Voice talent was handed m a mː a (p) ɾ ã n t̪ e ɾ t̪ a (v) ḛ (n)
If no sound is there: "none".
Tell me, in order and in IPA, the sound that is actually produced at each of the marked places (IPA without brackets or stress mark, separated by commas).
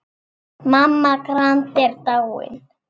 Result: k, w, n